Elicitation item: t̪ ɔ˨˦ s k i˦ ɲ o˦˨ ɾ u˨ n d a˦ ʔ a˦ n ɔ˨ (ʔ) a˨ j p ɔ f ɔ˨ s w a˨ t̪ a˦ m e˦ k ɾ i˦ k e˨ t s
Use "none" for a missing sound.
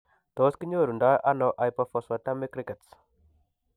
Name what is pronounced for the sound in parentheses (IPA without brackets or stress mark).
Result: ʔ